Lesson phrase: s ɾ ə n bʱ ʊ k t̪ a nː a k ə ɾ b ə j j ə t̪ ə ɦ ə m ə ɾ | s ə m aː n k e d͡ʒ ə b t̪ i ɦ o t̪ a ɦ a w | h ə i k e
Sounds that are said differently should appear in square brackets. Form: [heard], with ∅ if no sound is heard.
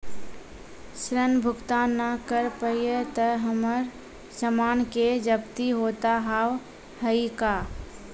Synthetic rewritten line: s ɾ ə n bʱ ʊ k t̪ a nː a k ə ɾ [p] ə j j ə t̪ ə ɦ ə m ə ɾ | s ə m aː n k e d͡ʒ ə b t̪ i ɦ o t̪ a ɦ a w | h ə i k [a]